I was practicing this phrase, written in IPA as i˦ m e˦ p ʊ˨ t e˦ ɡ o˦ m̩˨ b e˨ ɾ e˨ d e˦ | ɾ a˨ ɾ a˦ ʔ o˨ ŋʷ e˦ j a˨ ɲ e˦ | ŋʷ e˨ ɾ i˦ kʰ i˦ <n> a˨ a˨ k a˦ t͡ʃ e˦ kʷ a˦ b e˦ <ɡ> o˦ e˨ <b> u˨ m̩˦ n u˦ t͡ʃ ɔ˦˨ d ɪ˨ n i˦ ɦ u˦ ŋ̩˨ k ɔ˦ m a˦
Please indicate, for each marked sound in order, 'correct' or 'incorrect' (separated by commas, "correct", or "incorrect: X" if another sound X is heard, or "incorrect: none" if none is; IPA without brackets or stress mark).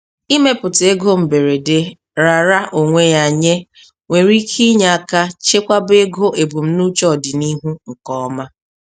incorrect: ɲ, correct, correct